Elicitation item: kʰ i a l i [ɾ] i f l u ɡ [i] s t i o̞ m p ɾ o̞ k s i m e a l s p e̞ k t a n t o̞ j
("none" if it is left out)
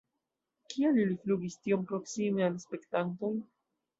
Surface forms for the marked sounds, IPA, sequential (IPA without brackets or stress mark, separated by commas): l, i